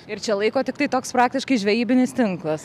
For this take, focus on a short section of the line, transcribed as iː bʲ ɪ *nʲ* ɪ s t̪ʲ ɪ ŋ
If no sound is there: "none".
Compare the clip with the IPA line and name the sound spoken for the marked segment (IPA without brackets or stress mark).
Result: nʲ